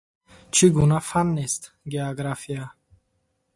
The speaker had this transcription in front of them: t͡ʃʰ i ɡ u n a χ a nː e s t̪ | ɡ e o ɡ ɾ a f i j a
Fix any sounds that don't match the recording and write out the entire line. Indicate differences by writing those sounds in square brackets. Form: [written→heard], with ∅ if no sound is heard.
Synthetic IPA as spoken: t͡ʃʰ i ɡ u n a [χ→f] a nː e s t̪ | ɡ e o ɡ ɾ a f i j a

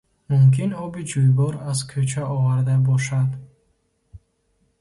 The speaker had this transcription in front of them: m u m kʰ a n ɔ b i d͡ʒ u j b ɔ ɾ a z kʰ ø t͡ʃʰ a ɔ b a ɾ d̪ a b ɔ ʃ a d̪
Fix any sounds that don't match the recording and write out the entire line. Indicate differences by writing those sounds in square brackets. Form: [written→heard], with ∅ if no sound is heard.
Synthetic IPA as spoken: m u m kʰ [a→i] n ɔ b i d͡ʒ u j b ɔ ɾ a z kʰ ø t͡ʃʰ a ɔ [b→v] a ɾ d̪ a b ɔ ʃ a d̪

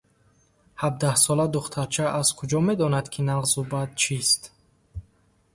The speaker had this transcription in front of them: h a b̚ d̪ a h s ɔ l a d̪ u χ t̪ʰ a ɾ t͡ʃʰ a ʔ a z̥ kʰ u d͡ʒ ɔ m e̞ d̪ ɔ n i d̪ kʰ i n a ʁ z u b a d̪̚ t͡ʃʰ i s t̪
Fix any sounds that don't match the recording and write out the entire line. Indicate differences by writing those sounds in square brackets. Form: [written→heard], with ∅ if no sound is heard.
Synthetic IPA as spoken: h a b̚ d̪ a h s ɔ l a d̪ u χ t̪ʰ a ɾ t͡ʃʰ a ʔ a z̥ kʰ u d͡ʒ ɔ m e̞ d̪ ɔ n [i→a] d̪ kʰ i n a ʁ z u b a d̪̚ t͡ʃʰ i s t̪

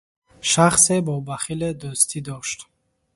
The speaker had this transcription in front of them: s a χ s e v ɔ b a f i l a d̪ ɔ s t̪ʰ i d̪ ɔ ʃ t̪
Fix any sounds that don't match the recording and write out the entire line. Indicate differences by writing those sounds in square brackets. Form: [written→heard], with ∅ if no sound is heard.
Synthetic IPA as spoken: [s→ʃ] a χ s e [v→b] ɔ b a [f→χ] i l [a→e] d̪ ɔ s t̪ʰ i d̪ ɔ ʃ t̪

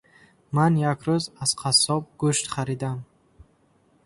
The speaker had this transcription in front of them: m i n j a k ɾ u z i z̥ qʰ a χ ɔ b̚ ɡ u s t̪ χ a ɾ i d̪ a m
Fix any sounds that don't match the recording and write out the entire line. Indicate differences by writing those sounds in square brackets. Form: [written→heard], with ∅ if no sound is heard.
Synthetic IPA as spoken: m [i→a] n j a k ɾ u z [i→a] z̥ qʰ a [χ→s] ɔ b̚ ɡ u [s→ʃ] t̪ χ a ɾ i d̪ a m

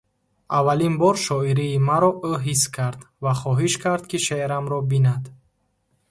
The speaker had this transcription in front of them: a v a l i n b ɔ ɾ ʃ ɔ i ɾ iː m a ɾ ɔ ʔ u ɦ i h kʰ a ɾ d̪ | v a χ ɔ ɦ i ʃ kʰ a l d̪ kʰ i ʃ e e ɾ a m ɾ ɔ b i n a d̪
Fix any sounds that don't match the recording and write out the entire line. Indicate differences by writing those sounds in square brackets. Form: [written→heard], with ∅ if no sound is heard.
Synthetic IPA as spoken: a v a l i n b ɔ ɾ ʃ ɔ i ɾ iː m a ɾ ɔ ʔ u ɦ i [h→s] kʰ a ɾ d̪ | v a χ ɔ ɦ i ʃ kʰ a [l→ɾ] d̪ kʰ i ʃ e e ɾ a m ɾ ɔ b i n a d̪

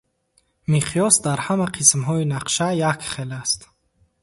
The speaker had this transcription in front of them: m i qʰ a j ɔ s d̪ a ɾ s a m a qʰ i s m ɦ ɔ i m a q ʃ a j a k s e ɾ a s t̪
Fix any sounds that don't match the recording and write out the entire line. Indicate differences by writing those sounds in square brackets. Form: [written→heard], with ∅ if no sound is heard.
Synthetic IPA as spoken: m i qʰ [a→i] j ɔ s d̪ a ɾ [s→h] a m a qʰ i s m ɦ ɔ i [m→n] a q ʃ a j a k [s→χ] e [ɾ→l] a s t̪

